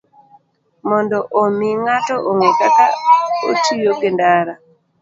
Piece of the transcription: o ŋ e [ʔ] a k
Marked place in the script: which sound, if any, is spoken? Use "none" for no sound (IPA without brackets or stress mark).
k